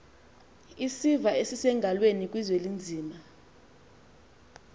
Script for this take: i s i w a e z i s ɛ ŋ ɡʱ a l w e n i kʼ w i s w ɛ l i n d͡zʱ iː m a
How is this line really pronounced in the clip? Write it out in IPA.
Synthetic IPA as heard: i s i v a e s i s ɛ ŋ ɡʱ a l w e n i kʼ w i z w e l i n d͡zʱ iː m a